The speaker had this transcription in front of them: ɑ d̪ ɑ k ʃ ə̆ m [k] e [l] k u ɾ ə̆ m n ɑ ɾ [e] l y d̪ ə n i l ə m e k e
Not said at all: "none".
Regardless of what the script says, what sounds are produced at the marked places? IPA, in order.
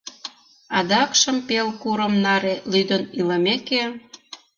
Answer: p, l, e

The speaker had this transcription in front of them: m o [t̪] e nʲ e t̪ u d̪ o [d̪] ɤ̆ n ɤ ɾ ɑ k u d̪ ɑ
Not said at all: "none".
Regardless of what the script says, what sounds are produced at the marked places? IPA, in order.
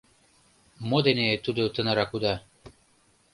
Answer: d̪, t̪

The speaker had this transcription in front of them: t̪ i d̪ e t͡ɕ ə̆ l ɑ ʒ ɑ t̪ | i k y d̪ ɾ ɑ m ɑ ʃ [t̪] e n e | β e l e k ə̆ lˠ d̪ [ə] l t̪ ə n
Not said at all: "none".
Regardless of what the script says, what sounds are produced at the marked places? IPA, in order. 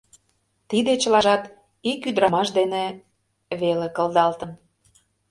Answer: d̪, ɑ

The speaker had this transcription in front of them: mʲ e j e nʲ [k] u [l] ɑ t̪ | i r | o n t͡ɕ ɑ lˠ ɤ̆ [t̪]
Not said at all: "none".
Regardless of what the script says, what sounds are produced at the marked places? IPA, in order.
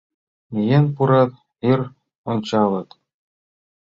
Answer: p, ɾ, t̪

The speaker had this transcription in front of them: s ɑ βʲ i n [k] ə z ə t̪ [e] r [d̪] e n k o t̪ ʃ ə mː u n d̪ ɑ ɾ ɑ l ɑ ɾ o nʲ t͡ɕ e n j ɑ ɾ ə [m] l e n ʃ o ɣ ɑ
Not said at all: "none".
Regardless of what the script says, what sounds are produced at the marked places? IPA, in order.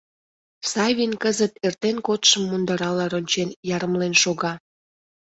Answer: k, e, t̪, m

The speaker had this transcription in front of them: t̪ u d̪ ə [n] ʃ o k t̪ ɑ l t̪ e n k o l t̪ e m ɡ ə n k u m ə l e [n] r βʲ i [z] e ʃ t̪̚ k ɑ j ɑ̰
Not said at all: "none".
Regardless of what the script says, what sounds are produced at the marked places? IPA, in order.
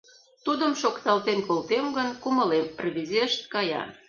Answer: m, m, z

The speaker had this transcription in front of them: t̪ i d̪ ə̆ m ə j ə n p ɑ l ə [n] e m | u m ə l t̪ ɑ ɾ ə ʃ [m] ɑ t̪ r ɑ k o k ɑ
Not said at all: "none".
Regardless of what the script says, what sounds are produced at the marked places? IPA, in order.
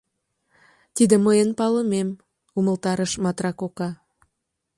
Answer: m, m

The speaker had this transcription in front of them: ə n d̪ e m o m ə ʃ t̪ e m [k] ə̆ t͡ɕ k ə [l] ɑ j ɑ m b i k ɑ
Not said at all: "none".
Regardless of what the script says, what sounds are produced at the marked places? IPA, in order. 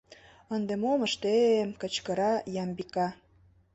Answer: k, ɾ

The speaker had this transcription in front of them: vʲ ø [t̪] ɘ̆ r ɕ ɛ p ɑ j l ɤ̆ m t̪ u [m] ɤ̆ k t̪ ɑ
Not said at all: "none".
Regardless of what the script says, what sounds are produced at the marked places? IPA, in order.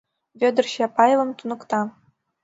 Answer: d̪, n

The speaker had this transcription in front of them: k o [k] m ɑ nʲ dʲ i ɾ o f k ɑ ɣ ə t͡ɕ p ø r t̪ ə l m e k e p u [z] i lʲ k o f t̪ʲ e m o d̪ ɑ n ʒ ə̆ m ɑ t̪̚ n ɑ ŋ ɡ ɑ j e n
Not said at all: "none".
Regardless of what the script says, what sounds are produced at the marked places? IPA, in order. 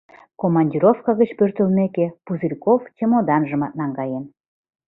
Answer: none, z

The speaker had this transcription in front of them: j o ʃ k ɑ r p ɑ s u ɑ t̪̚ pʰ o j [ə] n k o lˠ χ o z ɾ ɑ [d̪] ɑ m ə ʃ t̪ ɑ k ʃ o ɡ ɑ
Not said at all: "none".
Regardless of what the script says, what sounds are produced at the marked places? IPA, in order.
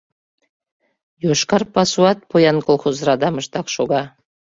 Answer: ɑ, d̪

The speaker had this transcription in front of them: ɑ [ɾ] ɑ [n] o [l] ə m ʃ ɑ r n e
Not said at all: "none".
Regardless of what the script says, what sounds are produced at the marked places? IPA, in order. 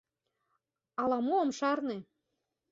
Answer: l, m, none

